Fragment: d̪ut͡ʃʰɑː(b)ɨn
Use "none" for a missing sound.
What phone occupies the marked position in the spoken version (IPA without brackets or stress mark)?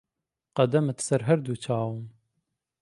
w